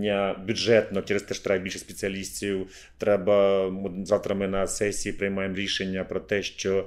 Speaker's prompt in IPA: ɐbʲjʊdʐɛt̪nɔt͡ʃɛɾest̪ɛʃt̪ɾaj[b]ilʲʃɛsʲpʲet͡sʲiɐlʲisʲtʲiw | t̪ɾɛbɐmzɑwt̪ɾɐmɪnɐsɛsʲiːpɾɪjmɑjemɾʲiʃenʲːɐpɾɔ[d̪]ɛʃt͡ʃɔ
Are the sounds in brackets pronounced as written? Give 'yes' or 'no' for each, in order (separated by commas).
yes, no